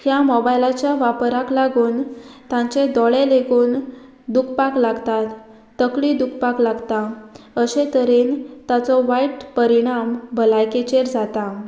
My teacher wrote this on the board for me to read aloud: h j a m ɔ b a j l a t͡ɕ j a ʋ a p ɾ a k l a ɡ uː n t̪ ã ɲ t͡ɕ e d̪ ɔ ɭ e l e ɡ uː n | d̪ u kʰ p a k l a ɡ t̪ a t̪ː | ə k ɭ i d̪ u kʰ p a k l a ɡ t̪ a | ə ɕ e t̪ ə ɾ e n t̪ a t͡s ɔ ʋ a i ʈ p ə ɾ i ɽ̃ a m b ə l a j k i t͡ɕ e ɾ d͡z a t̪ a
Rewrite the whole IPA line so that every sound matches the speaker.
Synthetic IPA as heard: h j a m ɔ b a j l a t͡ɕ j a ʋ a p ɾ a k l a ɡ uː n t̪ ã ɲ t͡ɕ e d̪ ɔ ɭ e l e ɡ uː n | d̪ u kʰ p a k l a ɡ t̪ a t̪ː | ə k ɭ i d̪ u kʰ p a k l a ɡ t̪ a | ə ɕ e t̪ ə ɾ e n t̪ a t͡s ɔ ʋ a i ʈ p ə ɾ i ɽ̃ a m b ə l a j k e t͡ɕ e ɾ d͡z a t̪ a